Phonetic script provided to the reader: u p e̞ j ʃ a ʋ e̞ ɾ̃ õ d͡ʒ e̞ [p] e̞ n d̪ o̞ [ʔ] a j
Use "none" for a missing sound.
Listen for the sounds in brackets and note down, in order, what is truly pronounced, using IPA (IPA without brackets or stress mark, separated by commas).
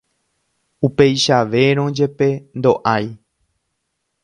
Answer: p, ʔ